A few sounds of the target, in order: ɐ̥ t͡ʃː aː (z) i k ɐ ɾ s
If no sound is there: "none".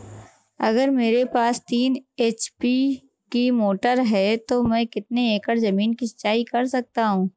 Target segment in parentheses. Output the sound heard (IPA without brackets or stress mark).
none